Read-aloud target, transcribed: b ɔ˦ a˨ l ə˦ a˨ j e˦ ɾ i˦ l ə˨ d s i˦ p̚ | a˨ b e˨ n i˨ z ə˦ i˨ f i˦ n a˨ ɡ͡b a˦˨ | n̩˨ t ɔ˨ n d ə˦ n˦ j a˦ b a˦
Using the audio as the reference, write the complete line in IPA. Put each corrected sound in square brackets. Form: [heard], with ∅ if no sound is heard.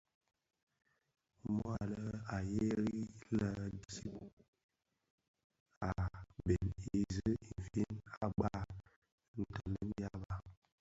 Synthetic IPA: [m] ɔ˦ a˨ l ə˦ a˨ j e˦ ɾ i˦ l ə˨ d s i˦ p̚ | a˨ b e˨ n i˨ z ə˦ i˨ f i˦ n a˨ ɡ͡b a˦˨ | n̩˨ t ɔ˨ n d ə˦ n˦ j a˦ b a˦